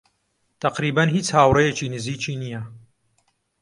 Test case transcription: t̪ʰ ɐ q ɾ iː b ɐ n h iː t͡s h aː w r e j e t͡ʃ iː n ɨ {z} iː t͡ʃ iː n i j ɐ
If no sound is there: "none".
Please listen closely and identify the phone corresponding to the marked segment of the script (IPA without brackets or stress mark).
z